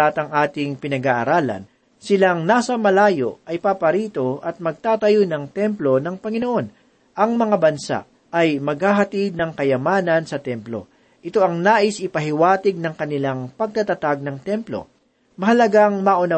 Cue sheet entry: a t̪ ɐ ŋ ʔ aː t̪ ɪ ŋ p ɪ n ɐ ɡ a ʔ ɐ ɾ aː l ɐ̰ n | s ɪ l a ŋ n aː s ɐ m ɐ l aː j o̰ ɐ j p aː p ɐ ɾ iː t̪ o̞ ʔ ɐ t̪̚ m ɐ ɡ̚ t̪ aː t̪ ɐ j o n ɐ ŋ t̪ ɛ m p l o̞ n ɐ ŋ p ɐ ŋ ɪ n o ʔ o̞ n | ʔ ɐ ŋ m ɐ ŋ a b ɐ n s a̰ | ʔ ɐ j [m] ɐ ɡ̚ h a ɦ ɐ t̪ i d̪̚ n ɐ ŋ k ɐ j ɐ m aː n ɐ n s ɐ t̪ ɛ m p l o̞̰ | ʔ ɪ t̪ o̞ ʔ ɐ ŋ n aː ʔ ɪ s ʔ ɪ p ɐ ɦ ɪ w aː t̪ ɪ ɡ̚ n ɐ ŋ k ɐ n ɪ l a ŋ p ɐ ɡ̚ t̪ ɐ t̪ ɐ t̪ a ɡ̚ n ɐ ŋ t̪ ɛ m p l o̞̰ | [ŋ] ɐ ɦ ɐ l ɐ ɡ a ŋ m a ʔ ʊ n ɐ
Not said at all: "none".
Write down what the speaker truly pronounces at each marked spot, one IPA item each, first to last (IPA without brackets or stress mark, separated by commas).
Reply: m, m